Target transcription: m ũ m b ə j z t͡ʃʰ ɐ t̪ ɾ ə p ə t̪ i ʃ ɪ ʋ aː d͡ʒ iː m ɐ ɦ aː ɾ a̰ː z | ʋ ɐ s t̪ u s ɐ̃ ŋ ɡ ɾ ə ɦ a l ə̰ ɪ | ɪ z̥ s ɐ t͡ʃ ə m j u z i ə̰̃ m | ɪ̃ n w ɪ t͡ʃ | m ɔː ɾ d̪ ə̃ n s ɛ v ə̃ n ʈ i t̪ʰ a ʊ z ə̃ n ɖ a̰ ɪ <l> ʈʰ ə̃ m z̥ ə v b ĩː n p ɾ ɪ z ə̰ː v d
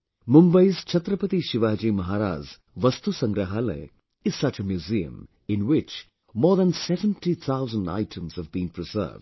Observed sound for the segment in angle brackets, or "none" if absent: none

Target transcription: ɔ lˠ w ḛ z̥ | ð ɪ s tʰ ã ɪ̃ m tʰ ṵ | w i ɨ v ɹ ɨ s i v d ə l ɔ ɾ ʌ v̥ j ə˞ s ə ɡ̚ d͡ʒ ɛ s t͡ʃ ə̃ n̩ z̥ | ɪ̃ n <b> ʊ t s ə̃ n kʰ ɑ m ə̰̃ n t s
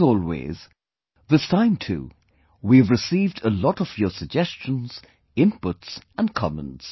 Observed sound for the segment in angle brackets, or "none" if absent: p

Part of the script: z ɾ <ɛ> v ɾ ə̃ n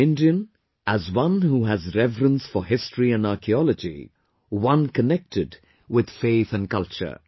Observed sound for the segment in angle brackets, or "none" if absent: ɛ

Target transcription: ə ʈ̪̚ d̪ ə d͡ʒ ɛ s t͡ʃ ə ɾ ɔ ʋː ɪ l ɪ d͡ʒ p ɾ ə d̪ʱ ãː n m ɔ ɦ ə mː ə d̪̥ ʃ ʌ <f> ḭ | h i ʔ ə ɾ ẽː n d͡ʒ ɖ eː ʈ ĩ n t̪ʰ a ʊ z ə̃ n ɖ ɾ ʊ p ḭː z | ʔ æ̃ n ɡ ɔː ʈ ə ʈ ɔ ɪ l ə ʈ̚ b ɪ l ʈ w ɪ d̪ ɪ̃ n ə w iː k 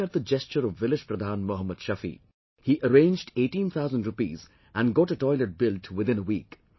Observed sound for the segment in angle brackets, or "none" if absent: f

